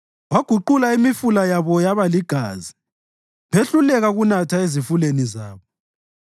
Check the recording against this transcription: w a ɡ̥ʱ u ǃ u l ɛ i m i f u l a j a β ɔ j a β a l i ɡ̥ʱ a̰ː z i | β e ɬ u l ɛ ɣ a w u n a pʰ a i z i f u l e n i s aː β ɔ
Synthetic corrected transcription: w a ɡ̥ʱ u ǃ u l a i m i f u l a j a β ɔ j a β a l i ɡ̥ʱ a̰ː z i | β e ɬ u l ɛ ɣ a ɣ u n a tʰ a e z i f u l e n i z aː β ɔ